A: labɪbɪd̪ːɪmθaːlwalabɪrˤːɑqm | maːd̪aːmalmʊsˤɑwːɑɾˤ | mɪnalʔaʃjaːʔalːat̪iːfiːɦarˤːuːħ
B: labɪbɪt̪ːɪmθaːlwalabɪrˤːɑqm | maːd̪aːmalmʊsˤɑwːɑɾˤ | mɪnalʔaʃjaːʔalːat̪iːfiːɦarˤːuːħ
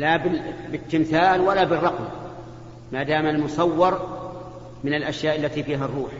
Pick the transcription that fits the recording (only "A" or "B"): B